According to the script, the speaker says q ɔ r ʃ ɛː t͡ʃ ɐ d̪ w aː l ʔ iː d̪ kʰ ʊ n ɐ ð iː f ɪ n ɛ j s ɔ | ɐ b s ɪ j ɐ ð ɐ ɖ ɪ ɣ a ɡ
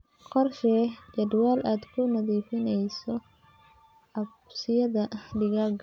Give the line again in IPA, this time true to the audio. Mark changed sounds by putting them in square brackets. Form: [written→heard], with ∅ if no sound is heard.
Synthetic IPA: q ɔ r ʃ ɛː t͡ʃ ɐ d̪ w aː l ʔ [iː→aː] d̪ kʰ ʊ n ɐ ð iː f ɪ n ɛ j s ɔ | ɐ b s ɪ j ɐ ð ɐ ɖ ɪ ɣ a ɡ